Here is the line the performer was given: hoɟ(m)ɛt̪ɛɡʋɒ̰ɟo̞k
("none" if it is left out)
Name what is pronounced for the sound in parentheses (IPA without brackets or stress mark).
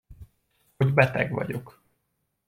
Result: b